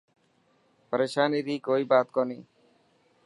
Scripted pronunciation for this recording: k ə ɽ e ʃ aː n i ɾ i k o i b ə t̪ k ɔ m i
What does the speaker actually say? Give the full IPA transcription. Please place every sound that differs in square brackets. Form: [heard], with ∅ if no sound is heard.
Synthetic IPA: [p] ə [ɾ] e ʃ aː n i ɾ i k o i b [a] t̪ k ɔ [n] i